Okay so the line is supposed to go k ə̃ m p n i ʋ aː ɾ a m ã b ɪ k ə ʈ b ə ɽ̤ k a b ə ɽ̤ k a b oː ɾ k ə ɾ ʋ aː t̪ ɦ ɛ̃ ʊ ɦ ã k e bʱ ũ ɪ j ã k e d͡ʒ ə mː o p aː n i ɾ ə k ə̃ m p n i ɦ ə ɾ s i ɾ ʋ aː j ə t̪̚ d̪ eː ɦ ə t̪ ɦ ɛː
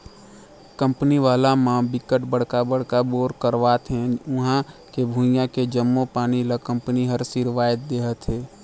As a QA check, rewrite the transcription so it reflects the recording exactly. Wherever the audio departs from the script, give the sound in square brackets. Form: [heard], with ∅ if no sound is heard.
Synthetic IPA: k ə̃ m p n i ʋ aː [l] a m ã b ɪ k ə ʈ b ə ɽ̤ k a b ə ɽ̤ k a b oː ɾ k ə ɾ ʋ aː t̪ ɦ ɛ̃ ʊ ɦ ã k e bʱ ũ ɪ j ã k e d͡ʒ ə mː o p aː n i [l] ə k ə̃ m p n i ɦ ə ɾ s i ɾ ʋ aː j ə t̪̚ d̪ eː ɦ ə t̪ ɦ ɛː

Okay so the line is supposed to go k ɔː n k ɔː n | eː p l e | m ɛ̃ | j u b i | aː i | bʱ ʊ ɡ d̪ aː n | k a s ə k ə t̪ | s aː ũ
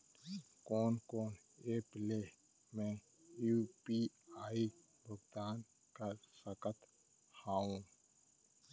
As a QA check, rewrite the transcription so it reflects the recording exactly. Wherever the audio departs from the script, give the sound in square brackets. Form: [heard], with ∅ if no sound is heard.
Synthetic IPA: k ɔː n k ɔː n | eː p l e | m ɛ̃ | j u [p] i | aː i | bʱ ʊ ɡ d̪ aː n | k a s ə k ə t̪ | [h] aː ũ

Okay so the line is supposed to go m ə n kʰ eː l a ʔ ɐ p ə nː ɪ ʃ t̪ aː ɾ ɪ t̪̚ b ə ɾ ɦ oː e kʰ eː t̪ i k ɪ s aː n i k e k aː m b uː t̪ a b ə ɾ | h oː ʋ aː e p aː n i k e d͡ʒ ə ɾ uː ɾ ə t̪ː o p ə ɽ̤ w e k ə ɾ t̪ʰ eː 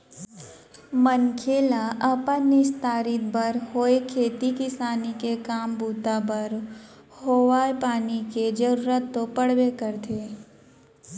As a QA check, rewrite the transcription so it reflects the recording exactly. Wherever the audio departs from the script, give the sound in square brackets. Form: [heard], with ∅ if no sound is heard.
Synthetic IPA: m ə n kʰ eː l a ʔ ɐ p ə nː ɪ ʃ t̪ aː ɾ ɪ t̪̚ b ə ɾ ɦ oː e kʰ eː t̪ i k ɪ s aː n i k e k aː m b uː t̪ a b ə ɾ | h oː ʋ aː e p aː n i k e d͡ʒ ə ɾ uː ɾ ə t̪ː o p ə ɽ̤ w e k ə ɾ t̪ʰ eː

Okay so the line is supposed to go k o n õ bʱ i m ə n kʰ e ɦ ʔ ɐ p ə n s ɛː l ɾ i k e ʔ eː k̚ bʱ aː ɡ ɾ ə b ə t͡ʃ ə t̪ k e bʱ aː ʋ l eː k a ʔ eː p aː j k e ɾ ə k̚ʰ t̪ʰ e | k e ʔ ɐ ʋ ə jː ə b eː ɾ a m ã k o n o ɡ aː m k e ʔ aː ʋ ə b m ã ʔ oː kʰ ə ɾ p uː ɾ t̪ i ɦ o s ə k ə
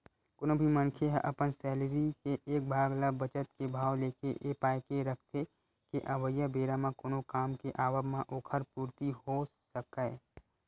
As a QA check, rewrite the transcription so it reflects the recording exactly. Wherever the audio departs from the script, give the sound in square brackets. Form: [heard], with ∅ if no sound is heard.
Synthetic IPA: k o n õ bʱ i m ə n kʰ e ɦ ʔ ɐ p ə n s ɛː l ɾ i k e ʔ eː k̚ bʱ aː ɡ [l] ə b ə t͡ʃ ə t̪ k e bʱ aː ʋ l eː k [e] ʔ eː p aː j k e ɾ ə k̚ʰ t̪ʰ e | k e ʔ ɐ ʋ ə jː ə b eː ɾ a m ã k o n o [k] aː m k e ʔ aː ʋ ə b m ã ʔ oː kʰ ə ɾ p uː ɾ t̪ i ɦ o s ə k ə

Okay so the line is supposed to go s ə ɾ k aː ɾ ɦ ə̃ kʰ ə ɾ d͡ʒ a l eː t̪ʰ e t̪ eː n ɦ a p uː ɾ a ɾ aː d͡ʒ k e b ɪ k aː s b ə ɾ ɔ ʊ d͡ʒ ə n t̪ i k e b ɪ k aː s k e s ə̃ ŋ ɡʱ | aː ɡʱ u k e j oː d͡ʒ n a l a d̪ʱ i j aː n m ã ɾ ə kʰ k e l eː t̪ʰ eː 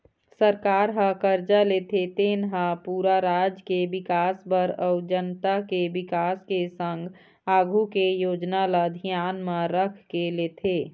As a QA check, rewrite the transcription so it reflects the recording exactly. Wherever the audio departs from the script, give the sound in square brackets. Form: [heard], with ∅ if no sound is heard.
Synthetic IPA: s ə ɾ k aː ɾ ɦ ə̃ [k] ə ɾ d͡ʒ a l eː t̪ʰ e t̪ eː n ɦ a p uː ɾ a ɾ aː d͡ʒ k e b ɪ k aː s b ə ɾ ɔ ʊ d͡ʒ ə n t̪ [a] k e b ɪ k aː s k e s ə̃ ŋ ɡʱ | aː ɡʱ u k e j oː d͡ʒ n a l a d̪ʱ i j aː n m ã ɾ ə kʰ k e l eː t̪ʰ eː

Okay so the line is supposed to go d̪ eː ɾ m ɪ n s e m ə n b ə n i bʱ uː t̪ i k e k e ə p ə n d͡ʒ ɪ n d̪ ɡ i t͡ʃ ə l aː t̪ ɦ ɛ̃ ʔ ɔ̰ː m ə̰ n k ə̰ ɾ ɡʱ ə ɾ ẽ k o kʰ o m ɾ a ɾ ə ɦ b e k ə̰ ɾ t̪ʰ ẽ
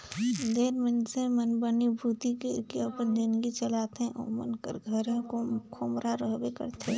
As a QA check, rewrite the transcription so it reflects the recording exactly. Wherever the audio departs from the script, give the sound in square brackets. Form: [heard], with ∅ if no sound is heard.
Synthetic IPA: d̪ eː ɾ m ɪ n s e m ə n b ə n i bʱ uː t̪ i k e k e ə p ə n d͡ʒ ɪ n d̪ ɡ i t͡ʃ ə l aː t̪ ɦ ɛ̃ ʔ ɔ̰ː m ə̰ n k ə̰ ɾ ɡʱ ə ɾ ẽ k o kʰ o m ɾ a ɾ ə ɦ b e k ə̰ ɾ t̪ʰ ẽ

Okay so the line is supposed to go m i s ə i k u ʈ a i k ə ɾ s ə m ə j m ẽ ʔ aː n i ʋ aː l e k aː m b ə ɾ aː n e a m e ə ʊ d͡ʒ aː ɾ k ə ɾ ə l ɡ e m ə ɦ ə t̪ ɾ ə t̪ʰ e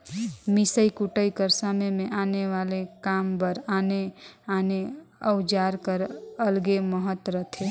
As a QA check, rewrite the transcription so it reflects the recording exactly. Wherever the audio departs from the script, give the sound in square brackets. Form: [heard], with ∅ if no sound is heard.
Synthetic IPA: m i s ə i k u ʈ [ə] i k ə ɾ s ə m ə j m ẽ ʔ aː n [e] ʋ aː l e k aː m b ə ɾ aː n e a [n] e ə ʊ d͡ʒ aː ɾ k ə ɾ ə l ɡ e m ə ɦ ə t̪ ɾ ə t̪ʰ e

